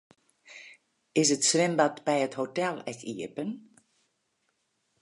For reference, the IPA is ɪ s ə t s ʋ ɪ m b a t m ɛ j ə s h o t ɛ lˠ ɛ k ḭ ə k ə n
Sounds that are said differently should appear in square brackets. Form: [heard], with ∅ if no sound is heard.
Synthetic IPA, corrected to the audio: ɪ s ə t s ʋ ɪ m b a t [b] ɛ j ə [t] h o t ɛ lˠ ɛ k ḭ ə [p] ə n